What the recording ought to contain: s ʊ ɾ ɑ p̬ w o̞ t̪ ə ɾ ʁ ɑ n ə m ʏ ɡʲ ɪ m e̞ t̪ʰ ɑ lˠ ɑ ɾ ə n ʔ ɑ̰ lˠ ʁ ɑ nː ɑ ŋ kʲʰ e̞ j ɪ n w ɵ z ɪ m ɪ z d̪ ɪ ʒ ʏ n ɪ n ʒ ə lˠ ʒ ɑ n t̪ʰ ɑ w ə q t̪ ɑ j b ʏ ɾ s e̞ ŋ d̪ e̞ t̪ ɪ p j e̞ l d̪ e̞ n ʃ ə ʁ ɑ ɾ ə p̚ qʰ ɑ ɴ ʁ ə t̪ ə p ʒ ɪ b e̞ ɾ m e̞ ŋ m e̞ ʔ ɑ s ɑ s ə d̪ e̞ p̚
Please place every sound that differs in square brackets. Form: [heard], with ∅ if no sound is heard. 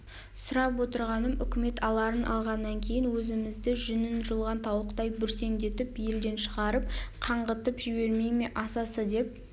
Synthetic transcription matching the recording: s ʊ ɾ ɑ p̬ w o̞ t̪ ə ɾ ʁ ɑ n ə m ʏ [kʲ] ɪ m e̞ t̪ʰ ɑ lˠ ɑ ɾ ə n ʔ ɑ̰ lˠ ʁ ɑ nː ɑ ŋ kʲʰ e̞ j ɪ n w ɵ z ɪ m ɪ z d̪ ɪ ʒ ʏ n ɪ n ʒ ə lˠ [ʁ] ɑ n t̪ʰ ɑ w ə q t̪ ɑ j b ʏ ɾ s e̞ ŋ d̪ e̞ t̪ ɪ p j e̞ l d̪ e̞ n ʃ ə ʁ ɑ ɾ ə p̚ qʰ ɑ ɴ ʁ ə t̪ ə p ʒ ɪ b e̞ ɾ m e̞ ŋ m e̞ ʔ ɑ s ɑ s ə d̪ e̞ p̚